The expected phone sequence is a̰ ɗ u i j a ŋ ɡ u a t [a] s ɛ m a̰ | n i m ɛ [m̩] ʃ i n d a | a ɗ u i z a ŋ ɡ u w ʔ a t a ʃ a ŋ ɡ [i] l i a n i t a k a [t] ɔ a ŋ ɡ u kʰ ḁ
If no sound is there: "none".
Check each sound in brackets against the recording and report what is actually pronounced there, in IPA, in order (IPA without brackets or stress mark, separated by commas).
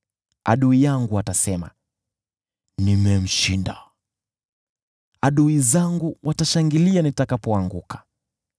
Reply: a, m̩, i, p